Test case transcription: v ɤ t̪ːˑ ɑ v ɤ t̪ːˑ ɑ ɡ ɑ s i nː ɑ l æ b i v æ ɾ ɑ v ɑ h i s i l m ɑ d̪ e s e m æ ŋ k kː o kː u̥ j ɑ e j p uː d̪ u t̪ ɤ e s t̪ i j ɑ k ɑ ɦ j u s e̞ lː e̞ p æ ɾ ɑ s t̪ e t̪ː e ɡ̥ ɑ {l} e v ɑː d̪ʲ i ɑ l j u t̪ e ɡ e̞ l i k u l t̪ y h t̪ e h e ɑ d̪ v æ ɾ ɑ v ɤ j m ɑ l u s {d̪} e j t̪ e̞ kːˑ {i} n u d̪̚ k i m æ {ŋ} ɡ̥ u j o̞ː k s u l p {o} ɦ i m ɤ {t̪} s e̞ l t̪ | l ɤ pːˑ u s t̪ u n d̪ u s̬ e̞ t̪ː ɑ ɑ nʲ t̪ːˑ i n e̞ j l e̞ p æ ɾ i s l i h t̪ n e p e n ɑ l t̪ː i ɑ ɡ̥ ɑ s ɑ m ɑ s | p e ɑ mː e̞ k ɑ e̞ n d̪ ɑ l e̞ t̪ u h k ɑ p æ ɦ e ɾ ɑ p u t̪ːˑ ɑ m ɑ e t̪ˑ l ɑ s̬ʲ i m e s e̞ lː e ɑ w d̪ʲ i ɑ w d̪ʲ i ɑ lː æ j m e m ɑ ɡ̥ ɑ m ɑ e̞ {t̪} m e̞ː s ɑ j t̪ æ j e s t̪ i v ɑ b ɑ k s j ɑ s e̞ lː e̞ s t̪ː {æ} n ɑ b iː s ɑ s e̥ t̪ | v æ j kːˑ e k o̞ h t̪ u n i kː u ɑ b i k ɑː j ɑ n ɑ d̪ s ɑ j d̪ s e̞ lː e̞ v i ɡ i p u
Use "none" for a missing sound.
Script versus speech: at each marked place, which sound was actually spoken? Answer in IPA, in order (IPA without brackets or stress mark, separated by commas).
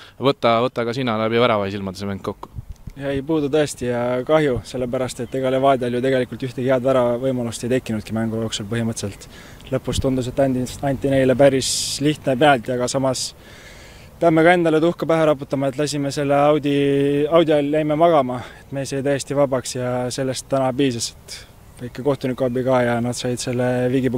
l, t̪, i, ŋ, ɤ, t̪, t̪, æ